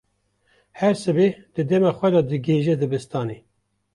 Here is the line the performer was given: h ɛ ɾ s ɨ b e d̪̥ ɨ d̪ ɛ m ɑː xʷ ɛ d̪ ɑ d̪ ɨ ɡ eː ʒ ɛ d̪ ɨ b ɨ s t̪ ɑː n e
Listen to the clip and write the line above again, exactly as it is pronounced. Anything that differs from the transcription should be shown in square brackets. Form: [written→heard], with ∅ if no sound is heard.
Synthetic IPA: h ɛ ɾ s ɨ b e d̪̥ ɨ d̪ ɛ m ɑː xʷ ɛ d̪ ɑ d̪ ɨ ɡ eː ʒ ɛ d̪ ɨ b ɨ s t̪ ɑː n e